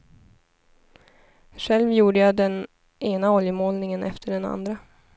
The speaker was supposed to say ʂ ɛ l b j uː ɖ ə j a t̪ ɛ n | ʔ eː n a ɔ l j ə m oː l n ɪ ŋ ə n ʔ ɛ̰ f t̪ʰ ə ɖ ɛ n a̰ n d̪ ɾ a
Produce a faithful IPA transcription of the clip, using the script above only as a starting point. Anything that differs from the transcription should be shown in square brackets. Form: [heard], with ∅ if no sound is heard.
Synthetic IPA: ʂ ɛ l [v] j uː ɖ ə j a [d̪] ɛ n | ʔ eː n a ɔ l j ə m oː l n ɪ ŋ ə n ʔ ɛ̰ f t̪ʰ ə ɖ ɛ n a̰ n d̪ ɾ a

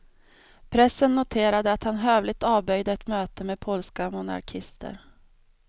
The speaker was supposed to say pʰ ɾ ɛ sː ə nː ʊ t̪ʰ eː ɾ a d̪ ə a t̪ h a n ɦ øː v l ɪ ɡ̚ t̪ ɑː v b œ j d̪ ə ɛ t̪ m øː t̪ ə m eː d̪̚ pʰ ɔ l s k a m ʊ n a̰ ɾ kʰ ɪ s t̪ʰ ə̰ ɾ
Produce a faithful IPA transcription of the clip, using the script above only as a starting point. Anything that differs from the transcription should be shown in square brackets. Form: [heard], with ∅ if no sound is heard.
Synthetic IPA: pʰ ɾ ɛ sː ə nː ʊ t̪ʰ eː ɾ a d̪ ə a t̪ h a n ɦ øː v l ɪ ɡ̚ t̪ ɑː v b œ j d̪ ə ɛ t̪ m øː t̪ ə m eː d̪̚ pʰ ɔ l s k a m ʊ n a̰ ɾ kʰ ɪ s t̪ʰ ə̰ ɾ

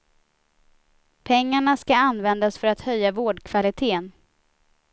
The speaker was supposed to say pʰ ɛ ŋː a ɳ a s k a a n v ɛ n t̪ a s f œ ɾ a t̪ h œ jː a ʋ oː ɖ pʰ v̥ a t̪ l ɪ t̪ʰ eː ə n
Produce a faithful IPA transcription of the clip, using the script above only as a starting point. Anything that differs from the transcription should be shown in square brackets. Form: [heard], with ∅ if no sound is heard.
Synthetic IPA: pʰ ɛ ŋː a ɳ a s k a a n v ɛ n [d̪] a s f œ ɾ a t̪ h œ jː a [v] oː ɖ [kʰ] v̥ a [∅] l ɪ t̪ʰ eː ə n

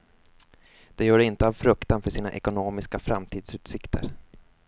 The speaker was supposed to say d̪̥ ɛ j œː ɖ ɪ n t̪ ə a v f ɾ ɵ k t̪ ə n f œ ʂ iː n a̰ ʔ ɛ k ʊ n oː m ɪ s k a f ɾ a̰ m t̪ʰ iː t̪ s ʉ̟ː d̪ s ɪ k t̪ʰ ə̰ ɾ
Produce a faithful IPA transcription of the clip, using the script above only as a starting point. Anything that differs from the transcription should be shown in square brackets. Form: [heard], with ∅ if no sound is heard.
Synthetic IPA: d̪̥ ɛ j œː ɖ ɪ n t̪ ə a v f ɾ ɵ k t̪ [a] n f œ ʂ iː n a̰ ʔ ɛ k ʊ n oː m ɪ s k a f ɾ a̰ m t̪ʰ iː [d̪] s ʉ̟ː [t̪] s ɪ k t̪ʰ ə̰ ɾ

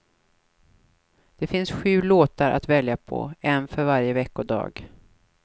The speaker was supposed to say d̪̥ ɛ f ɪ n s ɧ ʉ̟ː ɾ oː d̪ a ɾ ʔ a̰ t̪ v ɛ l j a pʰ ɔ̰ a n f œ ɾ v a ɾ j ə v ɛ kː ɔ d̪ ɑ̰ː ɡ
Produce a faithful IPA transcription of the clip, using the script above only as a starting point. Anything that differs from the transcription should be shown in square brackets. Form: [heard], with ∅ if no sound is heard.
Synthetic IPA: d̪̥ ɛ f ɪ n s ɧ ʉ̟ː [l] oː [t̪] a ɾ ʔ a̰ t̪ v ɛ l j a pʰ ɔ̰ [ɛ] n f œ ɾ v a ɾ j ə v ɛ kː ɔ d̪ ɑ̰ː ɡ

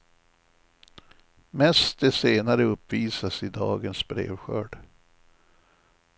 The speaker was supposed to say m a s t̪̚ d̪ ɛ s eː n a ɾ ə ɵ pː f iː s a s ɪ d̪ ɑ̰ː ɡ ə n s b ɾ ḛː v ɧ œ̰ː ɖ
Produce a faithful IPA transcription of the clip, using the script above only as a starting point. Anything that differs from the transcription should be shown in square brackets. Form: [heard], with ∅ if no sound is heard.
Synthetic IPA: m [ɛ] s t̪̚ d̪ ɛ s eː n a ɾ ə ɵ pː [v] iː s a s ɪ d̪ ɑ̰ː ɡ ə n s b ɾ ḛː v ɧ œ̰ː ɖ

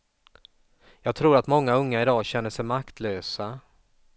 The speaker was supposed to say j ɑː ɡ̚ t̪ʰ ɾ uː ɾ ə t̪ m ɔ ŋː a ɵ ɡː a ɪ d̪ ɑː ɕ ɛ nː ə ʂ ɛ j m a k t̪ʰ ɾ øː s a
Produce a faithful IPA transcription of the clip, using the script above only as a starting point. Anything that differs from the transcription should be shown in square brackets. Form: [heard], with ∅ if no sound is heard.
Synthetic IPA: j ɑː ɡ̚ t̪ʰ ɾ uː ɾ [a] t̪ m ɔ ŋː a ɵ [ŋː] a ɪ d̪ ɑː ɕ ɛ nː ə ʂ ɛ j m a k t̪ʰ [l] øː s a

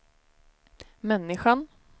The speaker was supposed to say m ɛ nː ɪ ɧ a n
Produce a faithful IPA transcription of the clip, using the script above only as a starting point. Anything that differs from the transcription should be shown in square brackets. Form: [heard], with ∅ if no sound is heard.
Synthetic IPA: m ɛ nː ɪ ɧ a n

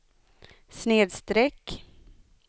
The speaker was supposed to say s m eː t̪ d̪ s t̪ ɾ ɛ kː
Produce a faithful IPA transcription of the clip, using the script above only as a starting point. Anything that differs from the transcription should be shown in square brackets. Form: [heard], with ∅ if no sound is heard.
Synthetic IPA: s [n] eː [∅] d̪ s t̪ ɾ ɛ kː

